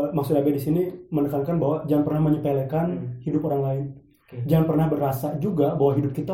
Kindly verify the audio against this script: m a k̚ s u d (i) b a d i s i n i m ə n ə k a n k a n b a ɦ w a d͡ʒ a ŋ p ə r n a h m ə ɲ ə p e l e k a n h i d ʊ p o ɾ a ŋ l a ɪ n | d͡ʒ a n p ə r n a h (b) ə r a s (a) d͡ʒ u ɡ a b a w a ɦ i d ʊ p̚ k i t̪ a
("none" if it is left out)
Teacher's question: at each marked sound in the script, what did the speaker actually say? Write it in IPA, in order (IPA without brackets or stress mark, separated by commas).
a, b, a